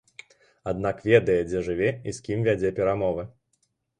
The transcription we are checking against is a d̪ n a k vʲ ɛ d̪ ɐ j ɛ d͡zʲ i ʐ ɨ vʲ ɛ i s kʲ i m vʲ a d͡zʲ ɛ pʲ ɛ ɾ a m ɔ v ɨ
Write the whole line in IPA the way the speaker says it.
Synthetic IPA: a d̪ n a k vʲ ɛ d̪ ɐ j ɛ d͡zʲ ɛ ʐ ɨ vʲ ɛ i s kʲ i m vʲ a d͡zʲ ɛ pʲ ɛ ɾ a m ɔ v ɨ